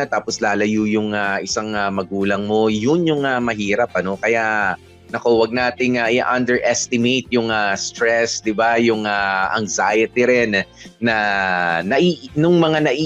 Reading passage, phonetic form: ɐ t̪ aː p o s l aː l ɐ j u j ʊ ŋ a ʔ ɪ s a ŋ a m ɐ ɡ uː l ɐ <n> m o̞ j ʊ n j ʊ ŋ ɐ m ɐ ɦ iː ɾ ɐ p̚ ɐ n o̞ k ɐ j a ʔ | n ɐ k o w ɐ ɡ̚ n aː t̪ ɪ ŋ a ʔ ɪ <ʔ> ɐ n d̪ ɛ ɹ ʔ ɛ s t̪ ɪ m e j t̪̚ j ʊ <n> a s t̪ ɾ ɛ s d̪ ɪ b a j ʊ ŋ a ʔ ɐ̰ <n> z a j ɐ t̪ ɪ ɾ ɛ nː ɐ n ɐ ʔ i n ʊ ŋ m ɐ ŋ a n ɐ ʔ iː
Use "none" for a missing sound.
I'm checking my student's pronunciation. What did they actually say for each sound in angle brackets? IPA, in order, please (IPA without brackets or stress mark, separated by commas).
ŋ, ʔ, ŋ, ŋ